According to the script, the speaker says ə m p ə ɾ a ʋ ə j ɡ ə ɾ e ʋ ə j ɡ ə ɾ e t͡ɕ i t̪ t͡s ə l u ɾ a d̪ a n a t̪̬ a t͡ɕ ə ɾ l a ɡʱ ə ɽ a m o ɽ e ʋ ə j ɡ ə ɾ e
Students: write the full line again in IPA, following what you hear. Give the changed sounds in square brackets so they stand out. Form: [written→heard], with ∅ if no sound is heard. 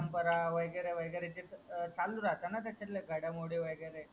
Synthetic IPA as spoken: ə m p ə ɾ a ʋ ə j ɡ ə ɾ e ʋ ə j ɡ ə ɾ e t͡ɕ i t̪ t͡s [ə→a] l u ɾ a [d̪→t̪] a n a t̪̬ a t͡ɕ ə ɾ l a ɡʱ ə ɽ a m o ɽ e ʋ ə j ɡ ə ɾ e